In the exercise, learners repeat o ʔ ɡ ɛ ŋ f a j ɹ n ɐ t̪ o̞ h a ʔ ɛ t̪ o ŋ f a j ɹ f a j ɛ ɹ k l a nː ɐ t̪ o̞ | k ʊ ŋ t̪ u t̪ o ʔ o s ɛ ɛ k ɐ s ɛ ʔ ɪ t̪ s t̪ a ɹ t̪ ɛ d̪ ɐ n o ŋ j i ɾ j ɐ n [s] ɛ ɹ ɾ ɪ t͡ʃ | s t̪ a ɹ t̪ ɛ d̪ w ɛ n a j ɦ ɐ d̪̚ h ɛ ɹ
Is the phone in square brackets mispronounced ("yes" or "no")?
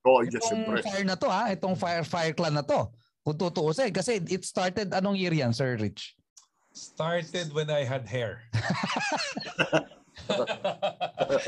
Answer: no